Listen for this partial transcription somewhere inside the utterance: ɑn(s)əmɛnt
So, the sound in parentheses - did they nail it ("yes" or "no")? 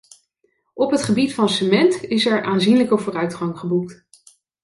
yes